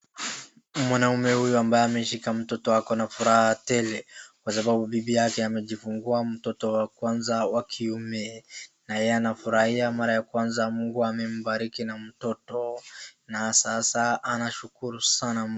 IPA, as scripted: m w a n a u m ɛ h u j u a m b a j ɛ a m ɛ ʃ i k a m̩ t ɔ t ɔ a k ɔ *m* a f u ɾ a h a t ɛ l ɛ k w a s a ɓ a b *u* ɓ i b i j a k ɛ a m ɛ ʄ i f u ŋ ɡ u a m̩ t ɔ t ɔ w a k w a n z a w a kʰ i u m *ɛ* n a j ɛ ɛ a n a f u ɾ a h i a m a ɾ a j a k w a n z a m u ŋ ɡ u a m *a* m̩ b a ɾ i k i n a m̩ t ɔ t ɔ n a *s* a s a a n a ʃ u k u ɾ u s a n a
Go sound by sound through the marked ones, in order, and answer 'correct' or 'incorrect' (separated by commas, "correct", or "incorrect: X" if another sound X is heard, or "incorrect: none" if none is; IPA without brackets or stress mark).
incorrect: n, correct, correct, incorrect: ɛ, correct